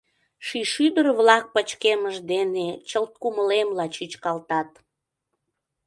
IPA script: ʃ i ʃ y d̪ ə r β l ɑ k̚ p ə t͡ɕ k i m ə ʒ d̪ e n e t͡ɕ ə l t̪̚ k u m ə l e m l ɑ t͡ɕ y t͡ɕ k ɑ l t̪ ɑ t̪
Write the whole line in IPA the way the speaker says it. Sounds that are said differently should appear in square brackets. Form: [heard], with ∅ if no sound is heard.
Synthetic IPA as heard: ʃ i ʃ y d̪ ə r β l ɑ k̚ p ə t͡ɕ k [e] m ə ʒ d̪ e n e t͡ɕ ə l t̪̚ k u m ə l e m l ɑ t͡ɕ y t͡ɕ k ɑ l t̪ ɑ t̪